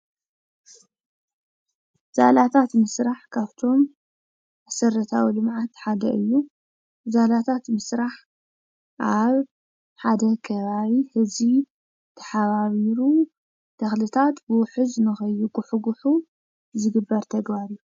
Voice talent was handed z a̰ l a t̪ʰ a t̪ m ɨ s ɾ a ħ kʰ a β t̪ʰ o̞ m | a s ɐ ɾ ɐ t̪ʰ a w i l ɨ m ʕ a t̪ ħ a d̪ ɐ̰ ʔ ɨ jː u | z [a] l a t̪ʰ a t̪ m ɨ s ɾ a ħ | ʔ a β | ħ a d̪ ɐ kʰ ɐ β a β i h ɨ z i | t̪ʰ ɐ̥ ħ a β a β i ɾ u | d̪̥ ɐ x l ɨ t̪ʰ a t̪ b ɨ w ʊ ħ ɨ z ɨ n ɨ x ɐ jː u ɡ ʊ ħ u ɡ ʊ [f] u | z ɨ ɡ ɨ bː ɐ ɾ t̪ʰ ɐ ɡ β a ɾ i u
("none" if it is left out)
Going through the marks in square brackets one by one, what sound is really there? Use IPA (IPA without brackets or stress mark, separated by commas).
a, ħ